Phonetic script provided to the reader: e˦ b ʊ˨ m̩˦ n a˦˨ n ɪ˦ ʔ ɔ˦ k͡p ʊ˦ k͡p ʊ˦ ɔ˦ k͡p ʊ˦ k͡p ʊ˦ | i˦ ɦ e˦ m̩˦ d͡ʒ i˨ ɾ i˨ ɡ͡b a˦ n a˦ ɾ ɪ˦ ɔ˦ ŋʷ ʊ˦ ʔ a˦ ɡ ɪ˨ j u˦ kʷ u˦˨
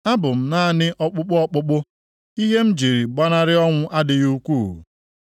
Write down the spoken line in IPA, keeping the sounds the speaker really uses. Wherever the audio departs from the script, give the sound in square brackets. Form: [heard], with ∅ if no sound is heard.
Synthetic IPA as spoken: [a˦] b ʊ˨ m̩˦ n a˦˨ n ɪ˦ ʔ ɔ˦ k͡p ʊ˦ k͡p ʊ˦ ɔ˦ k͡p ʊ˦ k͡p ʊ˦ | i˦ ɦ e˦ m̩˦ d͡ʒ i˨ ɾ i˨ ɡ͡b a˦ n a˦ ɾ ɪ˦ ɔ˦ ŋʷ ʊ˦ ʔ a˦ [d] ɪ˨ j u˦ kʷ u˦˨